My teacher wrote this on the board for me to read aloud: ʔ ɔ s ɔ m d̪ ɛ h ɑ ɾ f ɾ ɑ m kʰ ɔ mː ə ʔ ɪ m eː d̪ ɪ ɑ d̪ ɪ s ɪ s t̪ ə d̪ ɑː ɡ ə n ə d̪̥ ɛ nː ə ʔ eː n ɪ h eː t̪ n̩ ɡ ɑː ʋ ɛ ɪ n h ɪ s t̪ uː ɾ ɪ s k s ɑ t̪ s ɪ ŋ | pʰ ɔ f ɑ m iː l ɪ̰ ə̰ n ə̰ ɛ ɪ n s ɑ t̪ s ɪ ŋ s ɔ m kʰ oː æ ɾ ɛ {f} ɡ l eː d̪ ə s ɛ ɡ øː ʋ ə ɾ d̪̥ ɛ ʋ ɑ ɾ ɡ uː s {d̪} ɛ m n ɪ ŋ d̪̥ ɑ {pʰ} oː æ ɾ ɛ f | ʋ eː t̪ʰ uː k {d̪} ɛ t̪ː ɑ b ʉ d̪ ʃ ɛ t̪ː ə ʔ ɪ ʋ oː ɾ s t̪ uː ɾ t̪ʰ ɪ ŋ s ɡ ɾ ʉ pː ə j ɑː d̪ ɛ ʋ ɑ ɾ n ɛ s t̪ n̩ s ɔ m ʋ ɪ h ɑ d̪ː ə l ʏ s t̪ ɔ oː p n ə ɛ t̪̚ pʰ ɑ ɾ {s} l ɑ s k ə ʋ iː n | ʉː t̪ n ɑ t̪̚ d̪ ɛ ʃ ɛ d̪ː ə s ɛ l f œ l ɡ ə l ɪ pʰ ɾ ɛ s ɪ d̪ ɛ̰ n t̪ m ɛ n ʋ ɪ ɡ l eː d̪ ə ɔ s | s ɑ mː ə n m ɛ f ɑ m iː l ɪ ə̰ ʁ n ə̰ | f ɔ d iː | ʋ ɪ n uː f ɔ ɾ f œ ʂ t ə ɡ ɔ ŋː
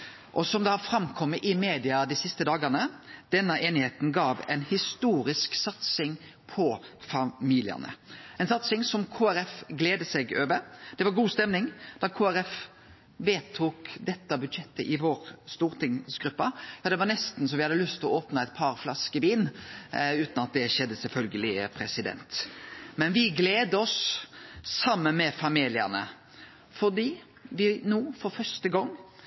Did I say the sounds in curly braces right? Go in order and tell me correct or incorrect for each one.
correct, incorrect: t̪, incorrect: kʰ, correct, incorrect: f

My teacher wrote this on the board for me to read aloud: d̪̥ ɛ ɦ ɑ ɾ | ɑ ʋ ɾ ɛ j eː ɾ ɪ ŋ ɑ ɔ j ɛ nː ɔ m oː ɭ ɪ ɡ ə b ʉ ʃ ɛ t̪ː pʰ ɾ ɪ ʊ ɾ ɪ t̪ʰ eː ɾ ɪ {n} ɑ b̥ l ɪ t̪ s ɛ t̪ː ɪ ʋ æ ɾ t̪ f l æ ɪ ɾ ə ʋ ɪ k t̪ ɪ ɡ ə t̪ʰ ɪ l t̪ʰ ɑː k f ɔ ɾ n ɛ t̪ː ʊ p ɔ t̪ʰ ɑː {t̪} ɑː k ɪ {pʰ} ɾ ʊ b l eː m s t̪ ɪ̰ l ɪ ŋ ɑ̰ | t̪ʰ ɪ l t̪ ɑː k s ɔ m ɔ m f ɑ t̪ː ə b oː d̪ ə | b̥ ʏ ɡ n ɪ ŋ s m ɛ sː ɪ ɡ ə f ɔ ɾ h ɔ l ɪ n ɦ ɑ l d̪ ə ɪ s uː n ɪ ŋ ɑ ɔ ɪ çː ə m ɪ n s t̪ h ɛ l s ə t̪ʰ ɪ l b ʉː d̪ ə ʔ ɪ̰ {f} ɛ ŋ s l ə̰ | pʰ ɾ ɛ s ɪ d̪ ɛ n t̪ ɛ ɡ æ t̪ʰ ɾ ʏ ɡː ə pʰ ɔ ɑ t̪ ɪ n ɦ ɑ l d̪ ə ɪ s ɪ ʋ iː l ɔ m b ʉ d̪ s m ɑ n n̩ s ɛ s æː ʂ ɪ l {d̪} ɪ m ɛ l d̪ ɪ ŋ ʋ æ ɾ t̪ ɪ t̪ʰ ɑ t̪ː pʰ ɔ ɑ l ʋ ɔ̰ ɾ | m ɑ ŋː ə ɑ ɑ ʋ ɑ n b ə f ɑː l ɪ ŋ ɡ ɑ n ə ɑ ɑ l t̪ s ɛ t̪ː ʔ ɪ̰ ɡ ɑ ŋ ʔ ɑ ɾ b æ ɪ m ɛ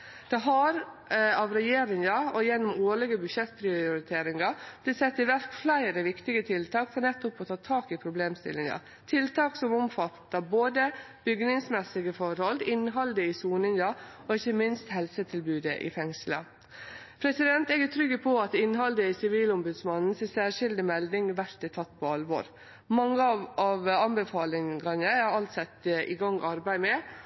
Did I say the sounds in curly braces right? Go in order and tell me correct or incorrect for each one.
incorrect: ŋ, incorrect: t̪ʰ, correct, correct, correct

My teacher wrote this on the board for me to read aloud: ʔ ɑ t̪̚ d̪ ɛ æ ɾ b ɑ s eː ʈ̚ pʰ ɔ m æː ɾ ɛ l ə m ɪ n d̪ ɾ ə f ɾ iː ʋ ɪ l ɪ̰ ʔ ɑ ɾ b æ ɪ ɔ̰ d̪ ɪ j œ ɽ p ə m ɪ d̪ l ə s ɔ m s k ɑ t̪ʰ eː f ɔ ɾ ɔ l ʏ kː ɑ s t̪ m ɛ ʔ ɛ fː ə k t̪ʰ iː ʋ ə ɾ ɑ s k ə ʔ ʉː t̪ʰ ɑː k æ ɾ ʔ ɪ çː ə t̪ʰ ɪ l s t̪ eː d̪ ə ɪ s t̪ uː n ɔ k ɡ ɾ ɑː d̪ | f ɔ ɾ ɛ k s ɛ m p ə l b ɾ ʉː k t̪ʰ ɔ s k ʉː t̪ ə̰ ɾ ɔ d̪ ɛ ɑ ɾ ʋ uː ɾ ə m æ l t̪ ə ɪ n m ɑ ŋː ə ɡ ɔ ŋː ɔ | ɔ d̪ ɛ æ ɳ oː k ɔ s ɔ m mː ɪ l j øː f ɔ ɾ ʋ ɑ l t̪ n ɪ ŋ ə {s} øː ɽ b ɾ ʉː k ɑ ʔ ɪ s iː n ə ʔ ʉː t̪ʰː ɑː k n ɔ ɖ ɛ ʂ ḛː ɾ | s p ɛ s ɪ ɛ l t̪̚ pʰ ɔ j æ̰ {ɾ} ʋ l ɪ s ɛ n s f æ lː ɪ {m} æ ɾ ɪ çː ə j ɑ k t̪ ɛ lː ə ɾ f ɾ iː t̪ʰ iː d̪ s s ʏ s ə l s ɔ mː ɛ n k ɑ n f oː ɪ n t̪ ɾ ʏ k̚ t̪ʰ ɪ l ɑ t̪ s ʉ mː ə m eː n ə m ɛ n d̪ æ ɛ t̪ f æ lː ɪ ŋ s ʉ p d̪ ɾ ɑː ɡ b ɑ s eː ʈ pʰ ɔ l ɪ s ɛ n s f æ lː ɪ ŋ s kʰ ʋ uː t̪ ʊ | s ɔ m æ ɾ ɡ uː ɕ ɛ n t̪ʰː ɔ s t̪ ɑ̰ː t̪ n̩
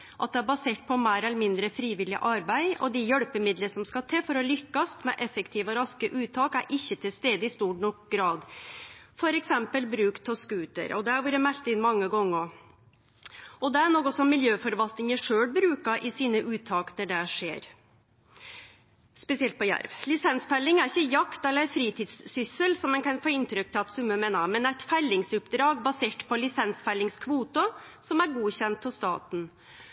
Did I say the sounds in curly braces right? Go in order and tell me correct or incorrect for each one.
incorrect: ʂ, correct, incorrect: ŋ

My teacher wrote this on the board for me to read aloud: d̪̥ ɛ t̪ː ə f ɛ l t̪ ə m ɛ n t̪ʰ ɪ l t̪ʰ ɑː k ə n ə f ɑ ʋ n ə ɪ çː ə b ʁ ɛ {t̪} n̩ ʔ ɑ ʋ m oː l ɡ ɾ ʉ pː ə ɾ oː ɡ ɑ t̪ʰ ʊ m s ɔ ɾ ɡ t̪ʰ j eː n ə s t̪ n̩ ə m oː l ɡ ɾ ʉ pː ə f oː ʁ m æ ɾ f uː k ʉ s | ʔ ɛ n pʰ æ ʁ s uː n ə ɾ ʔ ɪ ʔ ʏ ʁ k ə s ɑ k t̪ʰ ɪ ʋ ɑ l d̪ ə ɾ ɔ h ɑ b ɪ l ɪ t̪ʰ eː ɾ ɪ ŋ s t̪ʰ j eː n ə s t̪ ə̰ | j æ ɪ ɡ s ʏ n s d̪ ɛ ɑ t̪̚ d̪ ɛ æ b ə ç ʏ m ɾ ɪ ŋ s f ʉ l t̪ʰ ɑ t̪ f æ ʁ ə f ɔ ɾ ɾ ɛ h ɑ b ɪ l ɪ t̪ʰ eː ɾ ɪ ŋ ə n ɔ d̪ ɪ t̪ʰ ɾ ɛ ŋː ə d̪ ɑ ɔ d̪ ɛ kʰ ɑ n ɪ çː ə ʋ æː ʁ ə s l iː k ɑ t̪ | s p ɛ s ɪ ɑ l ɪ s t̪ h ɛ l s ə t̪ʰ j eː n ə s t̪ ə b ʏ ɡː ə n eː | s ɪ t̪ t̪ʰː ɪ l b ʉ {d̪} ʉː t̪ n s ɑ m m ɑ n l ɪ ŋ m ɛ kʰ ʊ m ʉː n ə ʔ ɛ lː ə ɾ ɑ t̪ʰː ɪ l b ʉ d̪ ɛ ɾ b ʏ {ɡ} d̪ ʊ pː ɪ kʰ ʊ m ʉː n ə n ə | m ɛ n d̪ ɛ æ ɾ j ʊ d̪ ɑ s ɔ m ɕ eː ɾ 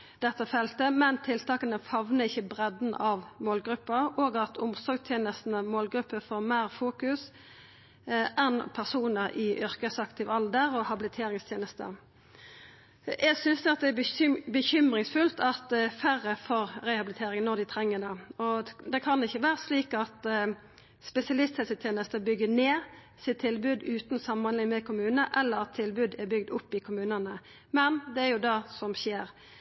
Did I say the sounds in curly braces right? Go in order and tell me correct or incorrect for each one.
incorrect: d̪, correct, correct

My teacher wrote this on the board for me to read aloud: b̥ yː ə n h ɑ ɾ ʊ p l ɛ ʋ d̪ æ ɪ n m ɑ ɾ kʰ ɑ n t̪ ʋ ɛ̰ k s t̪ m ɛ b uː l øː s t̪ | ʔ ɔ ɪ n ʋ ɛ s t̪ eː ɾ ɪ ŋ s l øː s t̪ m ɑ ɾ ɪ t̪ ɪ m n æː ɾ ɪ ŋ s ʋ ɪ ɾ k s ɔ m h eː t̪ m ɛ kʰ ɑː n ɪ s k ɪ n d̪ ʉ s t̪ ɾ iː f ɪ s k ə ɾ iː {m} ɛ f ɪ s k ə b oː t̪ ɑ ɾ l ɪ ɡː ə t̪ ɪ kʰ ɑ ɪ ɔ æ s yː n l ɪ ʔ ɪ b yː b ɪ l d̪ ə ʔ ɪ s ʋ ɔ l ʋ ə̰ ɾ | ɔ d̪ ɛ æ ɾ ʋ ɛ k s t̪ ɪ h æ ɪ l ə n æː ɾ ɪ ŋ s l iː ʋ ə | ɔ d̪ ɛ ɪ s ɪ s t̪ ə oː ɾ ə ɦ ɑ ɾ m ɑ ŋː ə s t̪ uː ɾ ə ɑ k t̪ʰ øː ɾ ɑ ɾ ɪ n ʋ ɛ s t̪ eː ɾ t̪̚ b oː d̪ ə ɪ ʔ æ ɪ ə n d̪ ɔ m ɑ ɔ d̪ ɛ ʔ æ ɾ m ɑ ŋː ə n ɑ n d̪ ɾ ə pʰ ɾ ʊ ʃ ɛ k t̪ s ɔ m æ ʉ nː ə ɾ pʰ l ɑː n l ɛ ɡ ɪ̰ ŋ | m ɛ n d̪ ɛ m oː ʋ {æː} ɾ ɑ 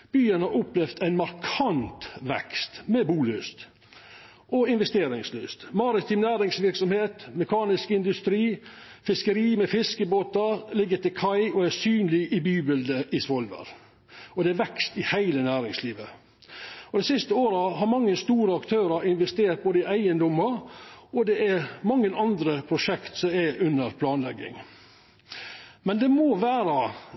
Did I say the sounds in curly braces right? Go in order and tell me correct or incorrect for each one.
correct, correct

